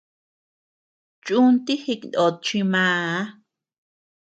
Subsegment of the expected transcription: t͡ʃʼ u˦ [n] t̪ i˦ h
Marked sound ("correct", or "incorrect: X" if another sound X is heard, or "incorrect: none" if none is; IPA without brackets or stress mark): correct